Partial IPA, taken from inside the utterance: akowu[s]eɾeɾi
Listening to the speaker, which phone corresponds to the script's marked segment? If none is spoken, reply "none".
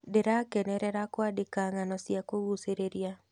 s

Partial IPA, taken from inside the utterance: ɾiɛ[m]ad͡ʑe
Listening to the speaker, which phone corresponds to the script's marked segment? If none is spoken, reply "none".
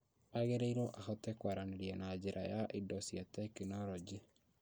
n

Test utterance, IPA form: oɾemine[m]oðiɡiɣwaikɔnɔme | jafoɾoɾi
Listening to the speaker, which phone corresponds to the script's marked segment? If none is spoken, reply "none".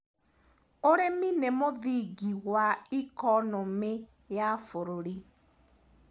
m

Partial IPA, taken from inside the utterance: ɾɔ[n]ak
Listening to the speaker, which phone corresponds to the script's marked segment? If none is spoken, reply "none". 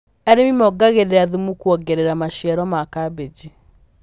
m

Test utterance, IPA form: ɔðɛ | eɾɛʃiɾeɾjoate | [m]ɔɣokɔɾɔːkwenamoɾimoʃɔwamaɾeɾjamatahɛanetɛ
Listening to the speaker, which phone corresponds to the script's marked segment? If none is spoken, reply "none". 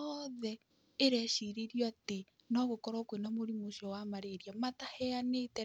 n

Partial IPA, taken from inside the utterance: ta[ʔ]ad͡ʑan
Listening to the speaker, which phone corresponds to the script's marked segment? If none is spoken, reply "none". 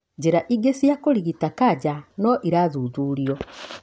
k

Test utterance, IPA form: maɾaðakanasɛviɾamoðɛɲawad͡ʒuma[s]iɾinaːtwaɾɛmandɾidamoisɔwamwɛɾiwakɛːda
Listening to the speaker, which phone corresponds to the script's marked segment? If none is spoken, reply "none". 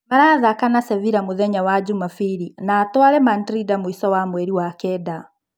f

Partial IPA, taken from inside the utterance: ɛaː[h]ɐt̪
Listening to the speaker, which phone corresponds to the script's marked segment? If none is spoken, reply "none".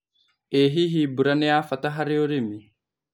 f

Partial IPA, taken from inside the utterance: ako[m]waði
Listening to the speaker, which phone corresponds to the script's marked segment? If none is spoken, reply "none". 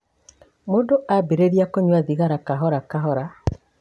ɲ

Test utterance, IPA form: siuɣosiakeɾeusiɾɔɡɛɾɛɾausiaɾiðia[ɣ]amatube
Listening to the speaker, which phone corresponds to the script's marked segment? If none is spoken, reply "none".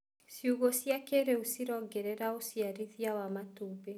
w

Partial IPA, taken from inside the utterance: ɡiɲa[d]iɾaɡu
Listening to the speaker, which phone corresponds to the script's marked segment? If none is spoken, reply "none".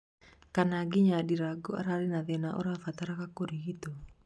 d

